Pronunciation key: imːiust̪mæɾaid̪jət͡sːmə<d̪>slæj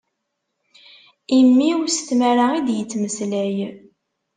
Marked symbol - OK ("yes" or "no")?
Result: no